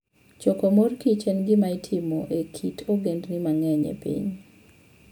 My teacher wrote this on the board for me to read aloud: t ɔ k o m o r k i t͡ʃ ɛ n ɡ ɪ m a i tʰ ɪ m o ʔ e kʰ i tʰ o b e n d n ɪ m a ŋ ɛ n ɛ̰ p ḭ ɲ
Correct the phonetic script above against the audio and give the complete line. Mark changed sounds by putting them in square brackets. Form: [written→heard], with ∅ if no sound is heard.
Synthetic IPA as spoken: [t→t͡ʃ] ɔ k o m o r k i t͡ʃ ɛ n ɡ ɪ m a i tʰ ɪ m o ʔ e kʰ i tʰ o [b→ɡ] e n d n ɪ m a ŋ ɛ [n→ɲ] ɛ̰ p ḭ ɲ